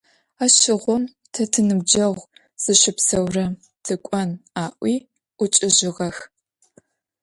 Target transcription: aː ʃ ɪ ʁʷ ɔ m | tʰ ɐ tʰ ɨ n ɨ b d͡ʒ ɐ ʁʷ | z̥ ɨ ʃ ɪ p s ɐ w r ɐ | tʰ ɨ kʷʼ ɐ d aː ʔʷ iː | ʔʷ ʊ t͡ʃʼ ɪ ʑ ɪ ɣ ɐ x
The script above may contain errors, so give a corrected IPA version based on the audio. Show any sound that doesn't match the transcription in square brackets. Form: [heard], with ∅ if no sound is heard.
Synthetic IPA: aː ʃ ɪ ʁʷ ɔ m | tʰ ɐ tʰ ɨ n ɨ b d͡ʒ ɐ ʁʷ | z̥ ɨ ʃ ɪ p s ɐ w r ɐ | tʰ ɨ kʷʼ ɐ [n] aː ʔʷ iː | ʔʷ ʊ t͡ʃʼ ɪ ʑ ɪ [ʁ] ɐ x

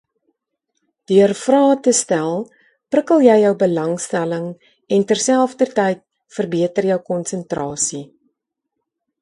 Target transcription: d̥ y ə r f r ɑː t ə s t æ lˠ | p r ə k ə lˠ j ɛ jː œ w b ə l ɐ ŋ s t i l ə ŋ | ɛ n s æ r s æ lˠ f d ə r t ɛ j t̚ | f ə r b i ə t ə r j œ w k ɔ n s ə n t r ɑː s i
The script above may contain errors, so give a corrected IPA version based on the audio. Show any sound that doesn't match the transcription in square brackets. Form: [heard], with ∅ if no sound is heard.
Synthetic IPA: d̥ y ə r f r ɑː t ə s t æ lˠ | p r ə k ə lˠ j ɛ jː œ w b ə l ɐ ŋ s t [æ] l ə ŋ | ɛ n [t] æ r s æ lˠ f d ə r t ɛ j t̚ | f ə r b i ə t ə r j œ w k ɔ n s ə n t r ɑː s i

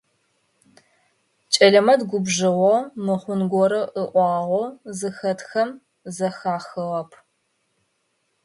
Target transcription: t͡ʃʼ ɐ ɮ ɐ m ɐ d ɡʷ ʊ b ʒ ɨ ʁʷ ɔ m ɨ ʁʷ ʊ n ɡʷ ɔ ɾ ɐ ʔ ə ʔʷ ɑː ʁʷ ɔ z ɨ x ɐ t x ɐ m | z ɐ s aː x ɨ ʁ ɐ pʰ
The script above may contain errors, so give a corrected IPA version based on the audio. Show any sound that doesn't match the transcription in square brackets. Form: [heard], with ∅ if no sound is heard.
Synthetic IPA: t͡ʃʼ ɐ ɮ ɐ m ɐ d ɡʷ ʊ b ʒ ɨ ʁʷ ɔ m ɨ [χʷ] ʊ n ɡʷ ɔ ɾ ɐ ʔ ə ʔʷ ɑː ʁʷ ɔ z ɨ x ɐ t x ɐ m | z ɐ [x] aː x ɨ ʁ ɐ pʰ

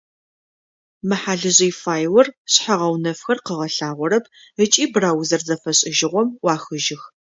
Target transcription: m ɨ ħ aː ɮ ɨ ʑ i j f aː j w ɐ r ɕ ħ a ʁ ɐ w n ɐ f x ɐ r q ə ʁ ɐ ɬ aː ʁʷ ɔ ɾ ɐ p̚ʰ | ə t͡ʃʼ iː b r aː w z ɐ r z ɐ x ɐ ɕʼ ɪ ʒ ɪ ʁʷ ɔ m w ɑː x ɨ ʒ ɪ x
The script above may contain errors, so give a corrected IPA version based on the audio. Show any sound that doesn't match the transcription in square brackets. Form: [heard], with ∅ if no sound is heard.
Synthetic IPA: m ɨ ħ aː ɮ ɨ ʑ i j f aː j w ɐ r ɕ ħ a ʁ ɐ w n ɐ f x ɐ r q ə ʁ ɐ ɬ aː ʁʷ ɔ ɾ ɐ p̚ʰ | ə t͡ʃʼ iː b r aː w z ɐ r z ɐ [f] ɐ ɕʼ ɪ ʒ ɪ ʁʷ ɔ m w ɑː x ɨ ʒ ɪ x

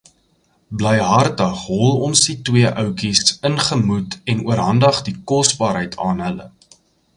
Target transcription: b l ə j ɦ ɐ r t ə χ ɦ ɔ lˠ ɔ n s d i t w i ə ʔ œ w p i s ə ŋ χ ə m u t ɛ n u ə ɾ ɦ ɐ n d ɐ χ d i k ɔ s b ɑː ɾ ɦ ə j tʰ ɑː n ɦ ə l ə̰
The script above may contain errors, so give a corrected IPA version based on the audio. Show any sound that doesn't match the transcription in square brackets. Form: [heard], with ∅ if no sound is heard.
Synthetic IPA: b l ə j ɦ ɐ r t ə χ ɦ ɔ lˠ ɔ n s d i t w i ə ʔ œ w [k] i s ə [n] χ ə m u t ɛ n u ə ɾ ɦ ɐ n d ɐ χ d i k ɔ s b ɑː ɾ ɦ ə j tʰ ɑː n ɦ ə l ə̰

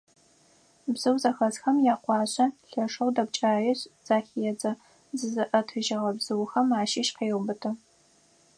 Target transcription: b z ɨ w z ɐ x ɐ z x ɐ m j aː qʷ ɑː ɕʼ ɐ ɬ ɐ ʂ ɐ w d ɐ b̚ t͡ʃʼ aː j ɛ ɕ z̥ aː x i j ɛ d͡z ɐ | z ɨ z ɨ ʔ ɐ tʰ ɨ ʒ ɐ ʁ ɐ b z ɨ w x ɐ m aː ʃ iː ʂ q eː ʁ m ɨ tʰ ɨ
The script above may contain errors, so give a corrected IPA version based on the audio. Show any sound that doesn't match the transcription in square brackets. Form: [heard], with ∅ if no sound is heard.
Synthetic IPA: b z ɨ w z ɐ x ɐ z x ɐ m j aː qʷ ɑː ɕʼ ɐ ɬ ɐ ʂ ɐ w d ɐ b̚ t͡ʃʼ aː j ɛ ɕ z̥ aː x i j ɛ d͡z ɐ | z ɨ z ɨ ʔ ɐ tʰ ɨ ʒ ɐ ʁ ɐ b z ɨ w x ɐ m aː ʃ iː [ʃ] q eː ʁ [b] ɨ tʰ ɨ

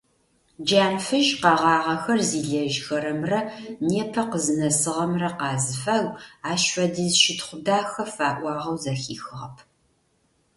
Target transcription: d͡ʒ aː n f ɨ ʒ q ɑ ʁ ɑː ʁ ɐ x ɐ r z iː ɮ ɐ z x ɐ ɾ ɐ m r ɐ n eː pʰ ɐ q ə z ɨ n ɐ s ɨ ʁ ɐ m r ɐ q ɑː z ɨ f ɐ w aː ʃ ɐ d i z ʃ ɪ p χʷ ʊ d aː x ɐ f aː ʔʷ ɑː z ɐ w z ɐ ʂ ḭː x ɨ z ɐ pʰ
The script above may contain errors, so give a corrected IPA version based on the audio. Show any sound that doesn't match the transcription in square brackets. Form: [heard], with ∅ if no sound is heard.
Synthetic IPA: d͡ʒ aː n f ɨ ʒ q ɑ ʁ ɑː ʁ ɐ x ɐ r z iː ɮ ɐ [ʒ] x ɐ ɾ ɐ m r ɐ n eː pʰ ɐ q ə z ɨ n ɐ s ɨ ʁ ɐ m r ɐ q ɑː z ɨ f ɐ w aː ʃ ɐ d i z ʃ ɪ [t] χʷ ʊ d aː x ɐ f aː ʔʷ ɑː [ʁ] ɐ w z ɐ [x] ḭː x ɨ [ʁ] ɐ pʰ

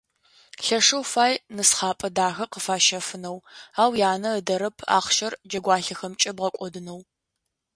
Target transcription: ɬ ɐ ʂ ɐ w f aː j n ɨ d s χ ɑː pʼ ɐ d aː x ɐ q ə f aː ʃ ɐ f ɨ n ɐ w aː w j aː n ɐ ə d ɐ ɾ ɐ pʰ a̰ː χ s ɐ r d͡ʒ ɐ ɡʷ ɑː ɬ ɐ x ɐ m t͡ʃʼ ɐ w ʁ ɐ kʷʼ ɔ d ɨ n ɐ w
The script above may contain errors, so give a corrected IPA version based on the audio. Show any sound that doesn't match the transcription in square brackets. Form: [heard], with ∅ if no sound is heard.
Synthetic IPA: ɬ ɐ ʂ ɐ w f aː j n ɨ [∅] s χ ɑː pʼ ɐ d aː x ɐ q ə f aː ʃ ɐ f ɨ n ɐ w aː w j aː n ɐ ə d ɐ ɾ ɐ pʰ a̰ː χ [ʃ] ɐ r d͡ʒ ɐ ɡʷ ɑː ɬ ɐ x ɐ m t͡ʃʼ ɐ [b] ʁ ɐ kʷʼ ɔ d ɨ n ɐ w

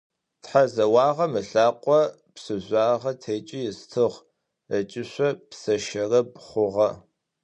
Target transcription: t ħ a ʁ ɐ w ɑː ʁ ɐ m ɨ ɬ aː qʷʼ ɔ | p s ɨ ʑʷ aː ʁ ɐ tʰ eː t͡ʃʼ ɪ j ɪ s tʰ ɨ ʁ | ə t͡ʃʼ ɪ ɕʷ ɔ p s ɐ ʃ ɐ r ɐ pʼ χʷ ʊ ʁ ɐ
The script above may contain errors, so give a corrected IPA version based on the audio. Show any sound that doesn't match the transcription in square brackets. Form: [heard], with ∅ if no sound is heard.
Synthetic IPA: t ħ a [z] ɐ w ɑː ʁ ɐ m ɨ ɬ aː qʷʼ ɔ | p s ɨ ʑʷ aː ʁ ɐ tʰ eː t͡ʃʼ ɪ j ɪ s tʰ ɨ ʁ | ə t͡ʃʼ ɪ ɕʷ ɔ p s ɐ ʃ ɐ r ɐ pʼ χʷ ʊ ʁ ɐ

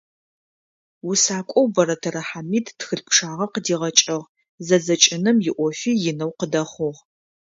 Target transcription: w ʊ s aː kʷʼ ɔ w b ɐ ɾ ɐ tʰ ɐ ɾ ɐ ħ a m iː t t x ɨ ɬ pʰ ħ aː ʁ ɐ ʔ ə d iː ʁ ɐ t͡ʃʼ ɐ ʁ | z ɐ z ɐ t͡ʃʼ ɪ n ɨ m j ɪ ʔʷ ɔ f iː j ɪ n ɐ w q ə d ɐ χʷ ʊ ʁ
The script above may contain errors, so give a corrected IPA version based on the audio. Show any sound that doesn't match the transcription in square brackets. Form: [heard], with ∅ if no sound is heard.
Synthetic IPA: w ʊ s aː kʷʼ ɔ w b ɐ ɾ ɐ tʰ ɐ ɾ ɐ ħ a m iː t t x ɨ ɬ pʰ [ʂ] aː ʁ ɐ [q] ə d iː ʁ ɐ t͡ʃʼ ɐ ʁ | z ɐ z ɐ t͡ʃʼ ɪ n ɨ m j ɪ ʔʷ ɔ f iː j ɪ n ɐ w q ə d ɐ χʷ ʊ ʁ

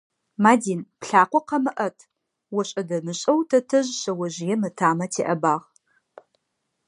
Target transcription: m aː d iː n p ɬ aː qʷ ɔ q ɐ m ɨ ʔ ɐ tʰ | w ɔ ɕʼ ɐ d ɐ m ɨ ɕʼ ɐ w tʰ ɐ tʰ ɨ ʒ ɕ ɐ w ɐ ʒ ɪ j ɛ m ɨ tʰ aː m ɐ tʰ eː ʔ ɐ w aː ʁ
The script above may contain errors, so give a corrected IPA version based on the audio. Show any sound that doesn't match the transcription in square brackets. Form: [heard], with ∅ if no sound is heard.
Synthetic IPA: m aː d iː n p ɬ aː qʷ ɔ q ɐ m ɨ ʔ ɐ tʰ | w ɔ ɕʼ ɐ d ɐ m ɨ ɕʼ ɐ w tʰ ɐ tʰ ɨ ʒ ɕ ɐ w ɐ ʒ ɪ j ɛ m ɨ tʰ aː m ɐ tʰ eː ʔ ɐ [b] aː ʁ

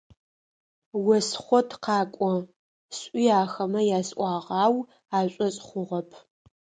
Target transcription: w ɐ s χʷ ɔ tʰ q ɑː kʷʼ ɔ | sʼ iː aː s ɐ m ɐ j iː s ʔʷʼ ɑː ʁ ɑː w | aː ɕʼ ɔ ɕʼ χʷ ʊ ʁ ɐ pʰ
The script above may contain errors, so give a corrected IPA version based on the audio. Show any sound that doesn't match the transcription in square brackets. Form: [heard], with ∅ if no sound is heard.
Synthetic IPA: w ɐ s χʷ ɔ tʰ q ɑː kʷʼ ɔ | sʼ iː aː [x] ɐ m ɐ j [aː] s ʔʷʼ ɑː ʁ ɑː w | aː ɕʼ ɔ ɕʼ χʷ ʊ ʁ ɐ pʰ

